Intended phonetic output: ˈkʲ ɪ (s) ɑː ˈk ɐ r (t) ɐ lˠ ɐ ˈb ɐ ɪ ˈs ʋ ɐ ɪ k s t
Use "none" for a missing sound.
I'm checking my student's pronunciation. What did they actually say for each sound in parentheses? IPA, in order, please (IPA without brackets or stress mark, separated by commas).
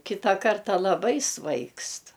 t, t